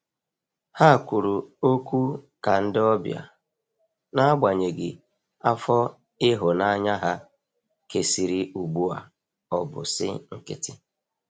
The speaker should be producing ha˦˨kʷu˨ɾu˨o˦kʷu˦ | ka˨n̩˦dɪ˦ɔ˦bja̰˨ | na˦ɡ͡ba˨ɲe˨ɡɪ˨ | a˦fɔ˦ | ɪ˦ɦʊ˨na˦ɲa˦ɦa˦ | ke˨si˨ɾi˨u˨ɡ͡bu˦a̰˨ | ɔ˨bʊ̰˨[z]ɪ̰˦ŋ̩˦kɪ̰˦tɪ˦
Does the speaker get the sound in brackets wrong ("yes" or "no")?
yes